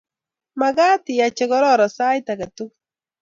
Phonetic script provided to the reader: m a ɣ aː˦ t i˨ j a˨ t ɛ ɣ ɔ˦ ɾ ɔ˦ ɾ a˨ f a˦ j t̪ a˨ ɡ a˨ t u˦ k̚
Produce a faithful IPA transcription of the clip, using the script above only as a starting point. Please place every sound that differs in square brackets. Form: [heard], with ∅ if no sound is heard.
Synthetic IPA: m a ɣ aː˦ t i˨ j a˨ [t͡ʃ] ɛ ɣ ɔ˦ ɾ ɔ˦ ɾ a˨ [s] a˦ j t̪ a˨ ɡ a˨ t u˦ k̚